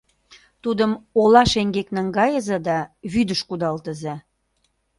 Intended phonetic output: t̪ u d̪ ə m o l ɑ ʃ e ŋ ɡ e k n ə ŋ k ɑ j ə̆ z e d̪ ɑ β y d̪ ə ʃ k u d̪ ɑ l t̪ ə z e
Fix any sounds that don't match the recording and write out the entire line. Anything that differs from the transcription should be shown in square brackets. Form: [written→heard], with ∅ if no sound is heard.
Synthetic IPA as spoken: t̪ u d̪ ə m o l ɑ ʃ e ŋ ɡ e k n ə ŋ [k→ɡ] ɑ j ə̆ z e d̪ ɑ β y d̪ ə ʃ k u d̪ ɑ l t̪ ə z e